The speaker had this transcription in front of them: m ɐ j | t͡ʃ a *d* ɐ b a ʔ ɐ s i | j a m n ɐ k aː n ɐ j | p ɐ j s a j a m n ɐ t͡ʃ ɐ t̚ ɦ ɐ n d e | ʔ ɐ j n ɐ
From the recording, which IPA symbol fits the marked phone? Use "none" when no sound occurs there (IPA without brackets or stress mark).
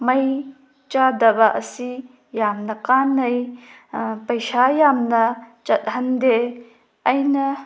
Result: d